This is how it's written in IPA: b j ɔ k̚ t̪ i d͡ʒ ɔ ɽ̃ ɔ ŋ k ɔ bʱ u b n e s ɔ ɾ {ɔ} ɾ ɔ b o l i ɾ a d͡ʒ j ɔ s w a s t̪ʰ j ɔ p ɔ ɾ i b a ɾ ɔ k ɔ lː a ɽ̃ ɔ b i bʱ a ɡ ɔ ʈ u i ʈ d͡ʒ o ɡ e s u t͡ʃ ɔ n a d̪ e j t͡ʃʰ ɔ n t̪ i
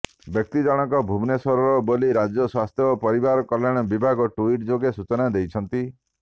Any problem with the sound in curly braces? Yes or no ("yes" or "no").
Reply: no